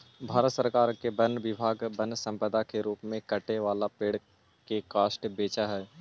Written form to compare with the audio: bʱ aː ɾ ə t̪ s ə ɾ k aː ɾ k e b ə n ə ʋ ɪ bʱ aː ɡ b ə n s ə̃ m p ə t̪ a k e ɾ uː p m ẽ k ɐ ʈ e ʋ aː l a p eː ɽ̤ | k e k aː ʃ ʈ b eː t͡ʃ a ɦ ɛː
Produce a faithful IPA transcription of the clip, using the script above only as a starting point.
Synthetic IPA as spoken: bʱ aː ɾ ə t̪ s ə ɾ k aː ɾ k e b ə n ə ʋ ɪ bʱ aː ɡ b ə n s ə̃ m p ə d̪ a k e ɾ uː p m ẽ k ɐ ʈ e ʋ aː l a p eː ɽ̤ | k e k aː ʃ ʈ b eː t͡ʃ a ɦ ɛː